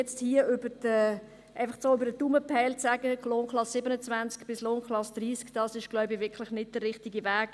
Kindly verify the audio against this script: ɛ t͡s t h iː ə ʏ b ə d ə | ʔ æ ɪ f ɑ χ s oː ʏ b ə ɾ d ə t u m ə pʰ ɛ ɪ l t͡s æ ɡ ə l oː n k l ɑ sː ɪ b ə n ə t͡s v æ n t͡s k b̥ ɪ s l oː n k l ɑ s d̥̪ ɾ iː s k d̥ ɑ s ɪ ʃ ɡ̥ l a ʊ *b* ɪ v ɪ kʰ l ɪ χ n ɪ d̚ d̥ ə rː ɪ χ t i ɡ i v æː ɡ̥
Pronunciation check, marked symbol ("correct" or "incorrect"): correct